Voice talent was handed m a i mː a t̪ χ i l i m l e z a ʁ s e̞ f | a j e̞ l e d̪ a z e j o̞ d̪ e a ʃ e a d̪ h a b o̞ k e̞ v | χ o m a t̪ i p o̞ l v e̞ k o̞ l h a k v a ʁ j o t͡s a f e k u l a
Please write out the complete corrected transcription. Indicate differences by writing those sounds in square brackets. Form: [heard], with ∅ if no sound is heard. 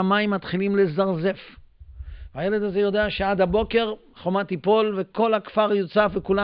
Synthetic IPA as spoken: m a i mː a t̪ χ i l i m l e z a ʁ [z] e̞ f | a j e̞ l e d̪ a z e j o̞ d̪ e a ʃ e a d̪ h a b o̞ k e̞ [ʁ] | χ o m a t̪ i p o̞ l v e̞ k o̞ l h a k [f] a ʁ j o t͡s a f e k u l a